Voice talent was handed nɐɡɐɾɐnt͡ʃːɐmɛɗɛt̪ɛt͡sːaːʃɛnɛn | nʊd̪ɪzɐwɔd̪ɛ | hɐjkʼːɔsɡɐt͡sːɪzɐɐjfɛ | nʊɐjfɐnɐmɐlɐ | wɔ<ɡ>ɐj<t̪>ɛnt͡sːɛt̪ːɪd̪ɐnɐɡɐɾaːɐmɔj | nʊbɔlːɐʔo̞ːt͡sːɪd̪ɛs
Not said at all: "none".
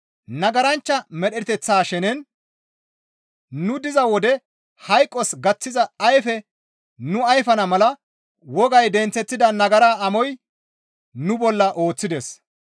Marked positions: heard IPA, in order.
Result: ɡ, d̪

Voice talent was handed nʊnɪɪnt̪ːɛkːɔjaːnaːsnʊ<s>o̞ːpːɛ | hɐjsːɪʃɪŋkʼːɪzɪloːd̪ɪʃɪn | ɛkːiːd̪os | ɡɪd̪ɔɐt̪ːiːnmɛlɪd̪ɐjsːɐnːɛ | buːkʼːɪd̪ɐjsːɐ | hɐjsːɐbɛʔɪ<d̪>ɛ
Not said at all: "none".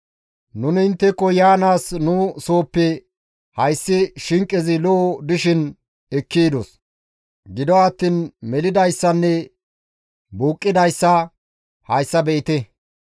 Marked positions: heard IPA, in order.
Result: s, t̪

